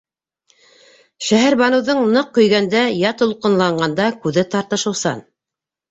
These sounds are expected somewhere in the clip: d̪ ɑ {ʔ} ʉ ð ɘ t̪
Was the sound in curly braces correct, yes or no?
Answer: no